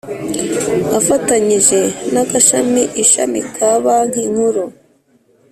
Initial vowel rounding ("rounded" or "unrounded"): unrounded